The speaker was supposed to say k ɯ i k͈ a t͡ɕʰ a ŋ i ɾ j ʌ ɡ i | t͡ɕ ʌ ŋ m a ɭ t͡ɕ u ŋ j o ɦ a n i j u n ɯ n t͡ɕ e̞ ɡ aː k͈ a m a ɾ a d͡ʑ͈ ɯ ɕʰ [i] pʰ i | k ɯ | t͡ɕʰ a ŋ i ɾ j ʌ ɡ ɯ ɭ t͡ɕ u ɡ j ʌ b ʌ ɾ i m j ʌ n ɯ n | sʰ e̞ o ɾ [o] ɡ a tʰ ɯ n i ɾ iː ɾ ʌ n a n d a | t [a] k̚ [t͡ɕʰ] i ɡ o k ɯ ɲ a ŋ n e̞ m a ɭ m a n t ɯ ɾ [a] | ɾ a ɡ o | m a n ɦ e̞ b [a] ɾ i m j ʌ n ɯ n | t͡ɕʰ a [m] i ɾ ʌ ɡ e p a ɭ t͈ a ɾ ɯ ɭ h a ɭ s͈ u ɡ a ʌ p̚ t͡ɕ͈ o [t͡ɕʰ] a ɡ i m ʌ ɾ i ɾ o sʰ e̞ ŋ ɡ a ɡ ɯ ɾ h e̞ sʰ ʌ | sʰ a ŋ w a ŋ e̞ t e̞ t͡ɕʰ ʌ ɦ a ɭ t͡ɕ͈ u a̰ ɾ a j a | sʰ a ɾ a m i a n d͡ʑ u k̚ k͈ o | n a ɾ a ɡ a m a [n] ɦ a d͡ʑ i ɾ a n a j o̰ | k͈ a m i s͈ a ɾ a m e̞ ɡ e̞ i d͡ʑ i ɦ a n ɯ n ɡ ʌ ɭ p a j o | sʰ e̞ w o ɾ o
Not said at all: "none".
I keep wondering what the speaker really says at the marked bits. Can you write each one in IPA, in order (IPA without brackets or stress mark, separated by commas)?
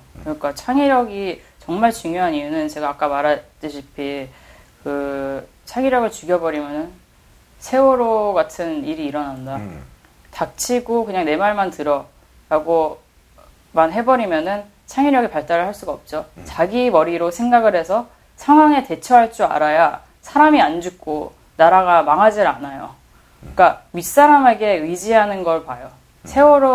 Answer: i, o, a, t͡ɕʰ, ʌ, ʌ, ŋ, t͡ɕ, ŋ